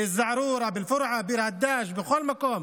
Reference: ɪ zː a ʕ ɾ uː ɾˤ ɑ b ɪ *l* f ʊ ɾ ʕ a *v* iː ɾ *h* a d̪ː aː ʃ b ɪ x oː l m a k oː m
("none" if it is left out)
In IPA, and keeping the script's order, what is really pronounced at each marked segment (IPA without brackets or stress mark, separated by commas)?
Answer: l, b, h